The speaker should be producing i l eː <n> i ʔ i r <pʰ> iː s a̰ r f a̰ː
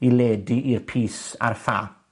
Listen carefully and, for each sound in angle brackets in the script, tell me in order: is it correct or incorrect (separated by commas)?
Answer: incorrect, correct